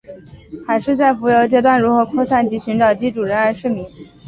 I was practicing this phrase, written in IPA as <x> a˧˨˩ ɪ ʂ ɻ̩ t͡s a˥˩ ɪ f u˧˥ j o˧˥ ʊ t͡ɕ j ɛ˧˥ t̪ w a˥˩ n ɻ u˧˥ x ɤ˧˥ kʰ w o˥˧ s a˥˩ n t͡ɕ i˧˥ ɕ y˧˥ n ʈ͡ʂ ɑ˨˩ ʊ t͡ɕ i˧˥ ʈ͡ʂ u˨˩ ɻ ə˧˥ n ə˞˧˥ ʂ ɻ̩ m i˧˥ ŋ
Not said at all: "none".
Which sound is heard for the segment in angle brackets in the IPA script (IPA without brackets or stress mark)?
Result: x